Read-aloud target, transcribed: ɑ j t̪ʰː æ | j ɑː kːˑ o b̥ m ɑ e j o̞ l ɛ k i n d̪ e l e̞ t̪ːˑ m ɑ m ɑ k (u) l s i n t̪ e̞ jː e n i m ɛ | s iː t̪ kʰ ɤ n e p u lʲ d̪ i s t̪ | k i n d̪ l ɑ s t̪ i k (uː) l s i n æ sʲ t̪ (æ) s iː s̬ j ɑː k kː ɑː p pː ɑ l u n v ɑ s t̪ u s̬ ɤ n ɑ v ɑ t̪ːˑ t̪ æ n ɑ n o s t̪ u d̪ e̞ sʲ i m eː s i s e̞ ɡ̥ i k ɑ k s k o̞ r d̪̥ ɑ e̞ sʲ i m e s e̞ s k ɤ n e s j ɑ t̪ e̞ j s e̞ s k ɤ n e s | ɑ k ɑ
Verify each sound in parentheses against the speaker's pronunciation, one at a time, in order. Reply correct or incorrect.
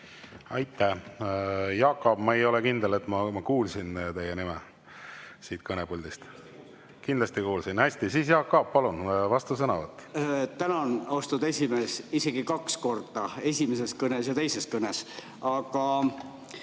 incorrect, correct, incorrect

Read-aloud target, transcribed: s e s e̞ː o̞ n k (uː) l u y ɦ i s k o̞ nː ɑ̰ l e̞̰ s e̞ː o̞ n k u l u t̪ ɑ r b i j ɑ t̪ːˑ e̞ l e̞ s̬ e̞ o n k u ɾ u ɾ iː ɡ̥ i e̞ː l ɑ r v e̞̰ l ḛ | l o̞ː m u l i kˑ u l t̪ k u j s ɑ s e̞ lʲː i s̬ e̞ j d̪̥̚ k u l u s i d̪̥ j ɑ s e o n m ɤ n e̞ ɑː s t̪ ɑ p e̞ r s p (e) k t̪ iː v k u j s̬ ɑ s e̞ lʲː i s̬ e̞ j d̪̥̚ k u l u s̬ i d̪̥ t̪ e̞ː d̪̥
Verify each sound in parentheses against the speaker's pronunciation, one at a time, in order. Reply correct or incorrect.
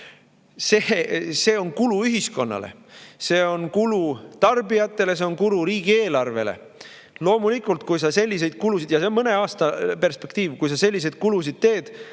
incorrect, correct

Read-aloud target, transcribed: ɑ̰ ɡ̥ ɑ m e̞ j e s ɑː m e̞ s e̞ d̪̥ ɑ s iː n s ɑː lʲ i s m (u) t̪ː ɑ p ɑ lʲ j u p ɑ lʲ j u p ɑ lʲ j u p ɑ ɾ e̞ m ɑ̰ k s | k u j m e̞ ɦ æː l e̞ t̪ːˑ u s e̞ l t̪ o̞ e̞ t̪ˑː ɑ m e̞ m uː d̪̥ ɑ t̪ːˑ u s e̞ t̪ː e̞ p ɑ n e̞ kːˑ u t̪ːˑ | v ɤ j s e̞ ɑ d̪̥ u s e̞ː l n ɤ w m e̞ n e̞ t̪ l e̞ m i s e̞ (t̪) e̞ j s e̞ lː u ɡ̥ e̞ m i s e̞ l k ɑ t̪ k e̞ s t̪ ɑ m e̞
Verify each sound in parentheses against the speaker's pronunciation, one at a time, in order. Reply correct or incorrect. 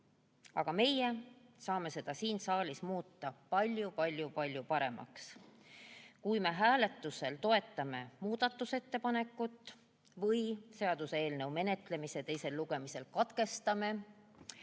incorrect, correct

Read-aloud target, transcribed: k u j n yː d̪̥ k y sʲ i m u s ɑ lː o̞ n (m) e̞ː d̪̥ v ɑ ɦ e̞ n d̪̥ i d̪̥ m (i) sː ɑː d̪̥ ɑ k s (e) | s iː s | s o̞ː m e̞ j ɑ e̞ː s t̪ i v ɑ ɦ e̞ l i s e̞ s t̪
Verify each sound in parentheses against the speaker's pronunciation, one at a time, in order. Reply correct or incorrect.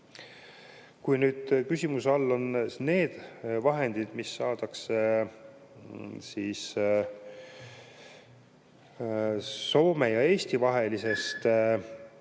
incorrect, correct, correct

